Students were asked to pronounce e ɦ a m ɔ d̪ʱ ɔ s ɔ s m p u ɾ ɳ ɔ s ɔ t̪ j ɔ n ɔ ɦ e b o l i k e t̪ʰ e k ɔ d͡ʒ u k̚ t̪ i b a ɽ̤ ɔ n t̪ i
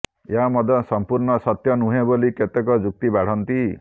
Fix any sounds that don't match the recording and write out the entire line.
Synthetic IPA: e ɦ a m ɔ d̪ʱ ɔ s ɔ m p u ɾ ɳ ɔ s ɔ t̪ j ɔ n u ɦ e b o l i k e t̪ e k ɔ d͡ʒ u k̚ t̪ i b a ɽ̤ ɔ n t̪ i